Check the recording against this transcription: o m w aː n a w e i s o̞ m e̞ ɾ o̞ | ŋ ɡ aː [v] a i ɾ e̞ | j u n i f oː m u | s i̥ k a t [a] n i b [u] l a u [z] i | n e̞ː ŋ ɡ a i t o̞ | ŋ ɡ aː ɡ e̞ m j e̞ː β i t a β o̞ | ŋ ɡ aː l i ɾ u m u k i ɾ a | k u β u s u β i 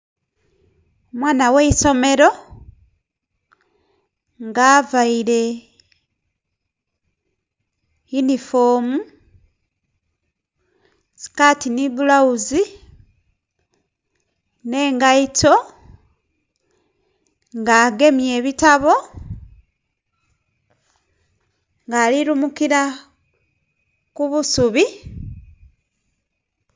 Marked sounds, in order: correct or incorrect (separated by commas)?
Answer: correct, incorrect, correct, correct